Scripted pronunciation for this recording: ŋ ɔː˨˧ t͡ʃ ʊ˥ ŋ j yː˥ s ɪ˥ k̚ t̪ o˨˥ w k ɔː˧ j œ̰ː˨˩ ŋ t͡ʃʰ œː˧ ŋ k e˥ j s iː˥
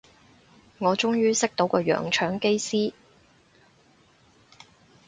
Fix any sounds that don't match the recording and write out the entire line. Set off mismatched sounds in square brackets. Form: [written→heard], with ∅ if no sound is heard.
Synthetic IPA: ŋ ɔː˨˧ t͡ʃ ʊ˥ ŋ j yː˥ s ɪ˥ k̚ t̪ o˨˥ w k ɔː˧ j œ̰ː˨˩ ŋ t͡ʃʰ [œː˧→œː˨˥] ŋ k e˥ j s iː˥